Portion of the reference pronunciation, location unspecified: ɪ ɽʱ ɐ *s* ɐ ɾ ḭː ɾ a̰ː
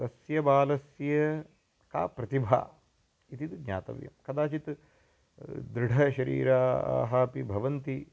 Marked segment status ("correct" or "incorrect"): incorrect